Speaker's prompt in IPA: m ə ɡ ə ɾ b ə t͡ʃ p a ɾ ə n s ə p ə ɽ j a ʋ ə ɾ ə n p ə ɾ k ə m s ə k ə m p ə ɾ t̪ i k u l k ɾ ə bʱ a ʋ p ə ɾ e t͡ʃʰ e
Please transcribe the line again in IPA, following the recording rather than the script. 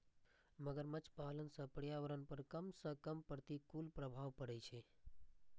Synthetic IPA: m ə ɡ ə ɾ m ə t͡ʃ p a l ə n s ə p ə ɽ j a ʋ ə ɾ ə n p ə ɾ k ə m s ə k ə m p ə ɾ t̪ i k u l p ɾ ə bʱ a ʋ p ə ɾ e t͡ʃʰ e